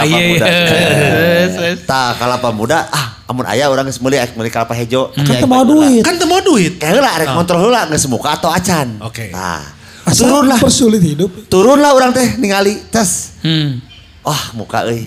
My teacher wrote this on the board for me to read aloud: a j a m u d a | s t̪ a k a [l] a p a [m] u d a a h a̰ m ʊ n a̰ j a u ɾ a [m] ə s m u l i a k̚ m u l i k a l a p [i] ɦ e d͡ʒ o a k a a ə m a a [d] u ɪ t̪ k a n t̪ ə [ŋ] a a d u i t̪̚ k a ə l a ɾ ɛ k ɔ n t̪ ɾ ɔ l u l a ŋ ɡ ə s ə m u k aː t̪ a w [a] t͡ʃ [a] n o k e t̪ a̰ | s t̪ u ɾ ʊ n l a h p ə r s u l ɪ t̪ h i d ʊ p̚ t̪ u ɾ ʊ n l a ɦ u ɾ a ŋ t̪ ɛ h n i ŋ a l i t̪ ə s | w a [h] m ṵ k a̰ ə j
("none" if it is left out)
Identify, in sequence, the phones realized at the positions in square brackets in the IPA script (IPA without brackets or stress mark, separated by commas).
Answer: l, m, ŋ, a, d, m, a, a, h